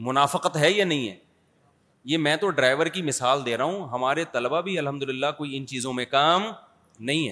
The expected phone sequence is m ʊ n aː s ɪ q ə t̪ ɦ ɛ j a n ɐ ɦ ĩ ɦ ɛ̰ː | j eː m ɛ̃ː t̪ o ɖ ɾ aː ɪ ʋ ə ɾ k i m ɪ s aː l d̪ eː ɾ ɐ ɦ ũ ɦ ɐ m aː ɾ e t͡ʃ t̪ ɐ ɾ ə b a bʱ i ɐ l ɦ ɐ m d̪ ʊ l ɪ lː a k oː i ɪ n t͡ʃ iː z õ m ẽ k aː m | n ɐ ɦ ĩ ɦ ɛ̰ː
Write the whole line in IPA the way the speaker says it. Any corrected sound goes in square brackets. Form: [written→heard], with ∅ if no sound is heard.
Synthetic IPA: m ʊ n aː [s→f] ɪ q ə t̪ ɦ ɛ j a n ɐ ɦ ĩ ɦ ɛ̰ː | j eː m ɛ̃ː t̪ o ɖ ɾ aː ɪ ʋ ə ɾ k i m ɪ s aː l d̪ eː ɾ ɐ ɦ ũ ɦ ɐ m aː ɾ e [t͡ʃ→∅] t̪ ɐ [ɾ→l] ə b a bʱ i ɐ l ɦ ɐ m d̪ ʊ l ɪ lː a k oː i ɪ n t͡ʃ iː z õ m ẽ k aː m | n ɐ ɦ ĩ ɦ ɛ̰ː